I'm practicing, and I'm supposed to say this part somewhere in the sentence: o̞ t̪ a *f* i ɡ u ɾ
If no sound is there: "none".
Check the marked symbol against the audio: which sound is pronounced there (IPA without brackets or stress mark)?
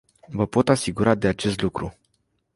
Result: s